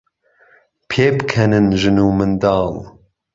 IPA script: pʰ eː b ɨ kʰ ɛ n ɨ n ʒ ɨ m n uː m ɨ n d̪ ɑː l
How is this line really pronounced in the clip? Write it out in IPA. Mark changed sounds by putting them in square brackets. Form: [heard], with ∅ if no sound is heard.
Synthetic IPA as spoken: pʰ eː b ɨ kʰ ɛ n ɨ n ʒ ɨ [∅] n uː m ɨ n d̪ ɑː l